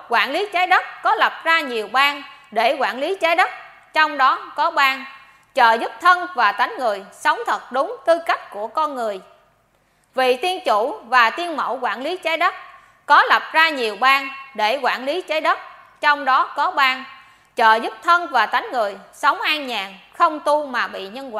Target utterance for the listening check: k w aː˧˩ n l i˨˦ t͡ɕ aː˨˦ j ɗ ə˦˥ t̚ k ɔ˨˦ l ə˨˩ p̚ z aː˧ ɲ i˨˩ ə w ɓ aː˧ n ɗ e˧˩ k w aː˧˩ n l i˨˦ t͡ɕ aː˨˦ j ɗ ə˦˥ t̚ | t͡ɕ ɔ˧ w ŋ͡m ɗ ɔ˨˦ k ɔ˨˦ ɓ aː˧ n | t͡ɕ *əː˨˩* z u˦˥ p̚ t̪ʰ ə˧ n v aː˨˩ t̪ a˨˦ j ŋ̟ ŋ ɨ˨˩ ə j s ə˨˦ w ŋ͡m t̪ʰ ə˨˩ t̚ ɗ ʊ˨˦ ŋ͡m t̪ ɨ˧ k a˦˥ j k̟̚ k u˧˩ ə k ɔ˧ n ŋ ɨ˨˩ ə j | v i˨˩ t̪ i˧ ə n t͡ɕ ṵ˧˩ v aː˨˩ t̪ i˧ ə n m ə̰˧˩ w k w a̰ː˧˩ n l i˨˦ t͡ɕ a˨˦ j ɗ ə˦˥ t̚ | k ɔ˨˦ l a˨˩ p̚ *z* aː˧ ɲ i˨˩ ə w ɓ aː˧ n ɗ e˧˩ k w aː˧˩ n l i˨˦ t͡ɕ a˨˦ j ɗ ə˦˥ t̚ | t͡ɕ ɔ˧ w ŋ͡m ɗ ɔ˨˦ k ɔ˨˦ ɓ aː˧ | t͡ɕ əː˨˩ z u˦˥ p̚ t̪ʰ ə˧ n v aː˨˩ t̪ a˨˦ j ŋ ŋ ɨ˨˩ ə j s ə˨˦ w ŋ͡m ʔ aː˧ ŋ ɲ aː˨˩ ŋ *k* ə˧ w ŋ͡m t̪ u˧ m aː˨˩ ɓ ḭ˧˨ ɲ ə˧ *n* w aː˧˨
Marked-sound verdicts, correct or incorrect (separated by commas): correct, correct, incorrect, correct